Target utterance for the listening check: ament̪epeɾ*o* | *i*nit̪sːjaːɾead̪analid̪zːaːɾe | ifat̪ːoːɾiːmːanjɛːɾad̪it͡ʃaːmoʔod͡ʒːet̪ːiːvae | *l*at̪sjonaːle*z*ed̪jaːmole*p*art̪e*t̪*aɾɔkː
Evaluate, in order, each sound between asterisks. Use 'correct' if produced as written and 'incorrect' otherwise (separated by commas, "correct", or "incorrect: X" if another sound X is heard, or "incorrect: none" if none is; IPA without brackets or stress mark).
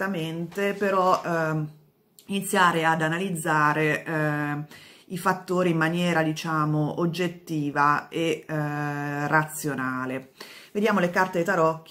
incorrect: ɔ, correct, incorrect: r, incorrect: v, incorrect: k, correct